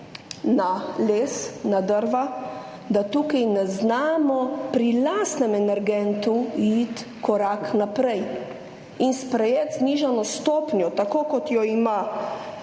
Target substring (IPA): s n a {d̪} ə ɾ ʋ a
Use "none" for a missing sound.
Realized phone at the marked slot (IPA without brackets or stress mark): d̪